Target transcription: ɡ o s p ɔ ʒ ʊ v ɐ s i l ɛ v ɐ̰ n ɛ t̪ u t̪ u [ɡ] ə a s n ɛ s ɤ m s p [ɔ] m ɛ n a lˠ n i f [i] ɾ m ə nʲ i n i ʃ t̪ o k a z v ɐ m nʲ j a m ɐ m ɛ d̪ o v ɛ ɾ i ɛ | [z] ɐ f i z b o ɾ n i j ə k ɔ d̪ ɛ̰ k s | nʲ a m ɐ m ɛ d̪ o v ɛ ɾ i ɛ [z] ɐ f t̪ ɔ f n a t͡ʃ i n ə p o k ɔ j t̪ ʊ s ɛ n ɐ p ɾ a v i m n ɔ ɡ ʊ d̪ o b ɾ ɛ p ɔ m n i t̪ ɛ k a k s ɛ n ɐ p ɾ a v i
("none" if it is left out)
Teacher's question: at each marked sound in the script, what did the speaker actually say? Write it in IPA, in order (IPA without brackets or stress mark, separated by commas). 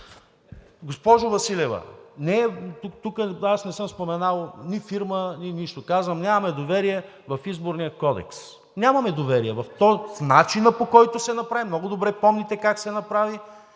k, o, i, v, v